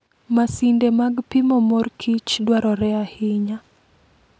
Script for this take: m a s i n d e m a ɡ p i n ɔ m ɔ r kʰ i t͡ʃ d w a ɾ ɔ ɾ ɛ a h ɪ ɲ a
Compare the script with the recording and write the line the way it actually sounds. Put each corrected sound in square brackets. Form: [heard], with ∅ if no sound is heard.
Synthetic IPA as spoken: m a s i n d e m a ɡ p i [m] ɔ m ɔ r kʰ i t͡ʃ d w a ɾ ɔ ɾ ɛ a h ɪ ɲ a